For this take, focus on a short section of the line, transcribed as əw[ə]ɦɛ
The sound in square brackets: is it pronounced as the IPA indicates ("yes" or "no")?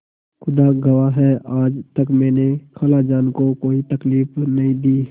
no